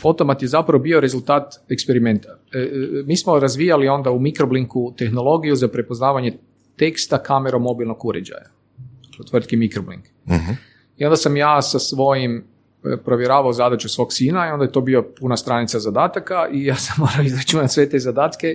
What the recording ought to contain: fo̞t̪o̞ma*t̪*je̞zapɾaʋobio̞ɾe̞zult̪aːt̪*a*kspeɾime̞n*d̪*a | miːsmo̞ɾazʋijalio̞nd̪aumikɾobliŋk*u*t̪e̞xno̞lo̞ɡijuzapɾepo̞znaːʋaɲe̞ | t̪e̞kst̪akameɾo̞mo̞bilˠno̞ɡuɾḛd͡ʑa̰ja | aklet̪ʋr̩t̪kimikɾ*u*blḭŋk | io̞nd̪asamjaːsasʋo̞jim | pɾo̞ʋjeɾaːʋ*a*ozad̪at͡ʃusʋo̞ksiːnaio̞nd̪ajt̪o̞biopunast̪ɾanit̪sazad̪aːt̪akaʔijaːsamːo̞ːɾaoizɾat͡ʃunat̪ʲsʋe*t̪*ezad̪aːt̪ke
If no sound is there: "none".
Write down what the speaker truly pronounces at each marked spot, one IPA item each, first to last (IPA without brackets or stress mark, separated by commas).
t̪, e, t̪, u, o, a, t̪